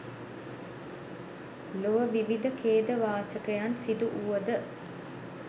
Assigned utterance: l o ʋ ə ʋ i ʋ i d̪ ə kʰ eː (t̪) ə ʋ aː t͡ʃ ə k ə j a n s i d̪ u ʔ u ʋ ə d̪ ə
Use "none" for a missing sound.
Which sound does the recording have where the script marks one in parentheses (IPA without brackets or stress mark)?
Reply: d̪